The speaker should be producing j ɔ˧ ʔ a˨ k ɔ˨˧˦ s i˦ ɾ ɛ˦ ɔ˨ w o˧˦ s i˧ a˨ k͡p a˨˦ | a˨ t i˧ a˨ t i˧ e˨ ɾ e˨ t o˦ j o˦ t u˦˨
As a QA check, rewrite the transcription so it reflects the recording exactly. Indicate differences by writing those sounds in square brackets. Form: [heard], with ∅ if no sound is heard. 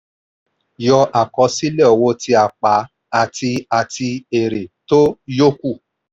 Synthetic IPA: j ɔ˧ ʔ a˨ k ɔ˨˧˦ s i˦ [l] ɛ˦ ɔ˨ w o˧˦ [t] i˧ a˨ k͡p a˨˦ | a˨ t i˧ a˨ t i˧ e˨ ɾ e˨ t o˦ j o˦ [k] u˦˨